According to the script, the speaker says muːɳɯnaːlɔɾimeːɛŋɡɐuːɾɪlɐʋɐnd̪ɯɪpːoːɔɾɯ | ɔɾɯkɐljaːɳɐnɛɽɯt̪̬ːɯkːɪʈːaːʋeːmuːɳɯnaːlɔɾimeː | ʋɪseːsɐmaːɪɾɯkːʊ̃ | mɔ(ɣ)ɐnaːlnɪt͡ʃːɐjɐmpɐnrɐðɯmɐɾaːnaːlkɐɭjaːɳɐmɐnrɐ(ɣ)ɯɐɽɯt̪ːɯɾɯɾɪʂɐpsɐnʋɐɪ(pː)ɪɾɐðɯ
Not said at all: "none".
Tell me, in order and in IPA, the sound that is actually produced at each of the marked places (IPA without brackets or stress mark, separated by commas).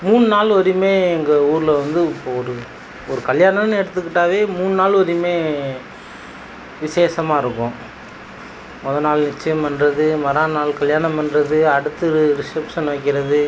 ð, ð, kː